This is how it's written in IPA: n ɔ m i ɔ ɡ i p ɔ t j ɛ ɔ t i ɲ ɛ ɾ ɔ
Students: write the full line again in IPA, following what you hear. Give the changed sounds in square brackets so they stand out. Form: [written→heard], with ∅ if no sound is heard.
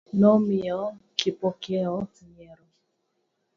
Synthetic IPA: n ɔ m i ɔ [ɡ→k] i p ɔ [t→k] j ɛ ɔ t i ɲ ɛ ɾ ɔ